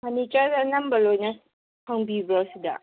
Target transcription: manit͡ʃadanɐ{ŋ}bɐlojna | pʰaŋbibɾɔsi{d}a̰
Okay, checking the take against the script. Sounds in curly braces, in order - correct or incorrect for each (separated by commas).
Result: incorrect, correct